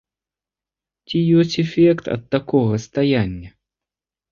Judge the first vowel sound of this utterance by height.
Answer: high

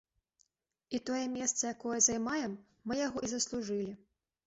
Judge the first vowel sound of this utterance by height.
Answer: high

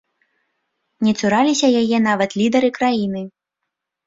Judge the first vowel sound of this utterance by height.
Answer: mid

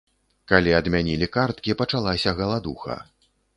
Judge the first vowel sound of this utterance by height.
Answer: low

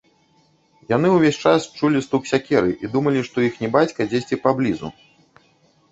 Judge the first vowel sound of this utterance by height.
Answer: low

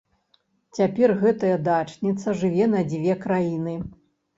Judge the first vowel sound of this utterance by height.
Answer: low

